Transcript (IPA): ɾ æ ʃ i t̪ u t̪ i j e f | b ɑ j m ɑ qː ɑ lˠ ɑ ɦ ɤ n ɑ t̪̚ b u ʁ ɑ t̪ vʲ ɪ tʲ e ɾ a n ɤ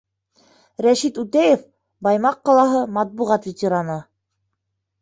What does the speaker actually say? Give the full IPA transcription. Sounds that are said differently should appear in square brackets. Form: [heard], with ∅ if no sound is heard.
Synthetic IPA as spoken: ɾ æ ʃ i t̪ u t̪ [æ] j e f | b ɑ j m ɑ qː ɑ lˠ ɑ ɦ ɤ [m] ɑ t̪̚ b u ʁ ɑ t̪ vʲ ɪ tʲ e ɾ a n ɤ